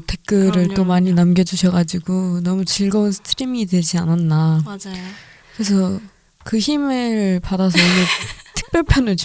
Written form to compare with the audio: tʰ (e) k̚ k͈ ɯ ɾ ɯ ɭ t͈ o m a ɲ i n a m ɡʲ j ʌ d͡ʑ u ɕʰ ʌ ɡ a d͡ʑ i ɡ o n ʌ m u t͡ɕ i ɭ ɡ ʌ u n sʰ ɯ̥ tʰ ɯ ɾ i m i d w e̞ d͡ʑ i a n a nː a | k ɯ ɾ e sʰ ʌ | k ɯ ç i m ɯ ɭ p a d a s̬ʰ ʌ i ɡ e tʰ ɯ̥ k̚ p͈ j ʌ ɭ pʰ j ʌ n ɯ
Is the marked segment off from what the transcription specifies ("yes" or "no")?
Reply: no